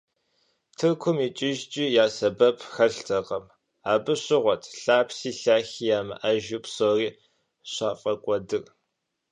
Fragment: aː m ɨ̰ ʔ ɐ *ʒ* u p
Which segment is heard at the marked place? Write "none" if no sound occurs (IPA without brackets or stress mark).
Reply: ʒ